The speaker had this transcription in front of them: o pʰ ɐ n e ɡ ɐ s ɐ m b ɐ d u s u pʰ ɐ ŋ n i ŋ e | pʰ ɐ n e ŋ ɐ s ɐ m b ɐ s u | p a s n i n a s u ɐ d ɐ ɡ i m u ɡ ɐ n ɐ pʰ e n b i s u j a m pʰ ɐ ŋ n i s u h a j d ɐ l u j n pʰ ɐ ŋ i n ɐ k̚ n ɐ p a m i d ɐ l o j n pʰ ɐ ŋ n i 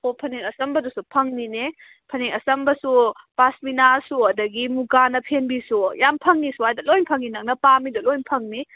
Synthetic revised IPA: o pʰ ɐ n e ŋ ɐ s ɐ m b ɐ d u s u pʰ ɐ ŋ n i n e | pʰ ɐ n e ŋ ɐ s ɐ m b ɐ s u | p a s m i n a s u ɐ d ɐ ɡ i m u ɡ a n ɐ pʰ e n b i s u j a m pʰ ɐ ŋ n i s u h a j d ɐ l o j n pʰ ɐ ŋ i n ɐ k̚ n ɐ p a m i d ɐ l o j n pʰ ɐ ŋ n i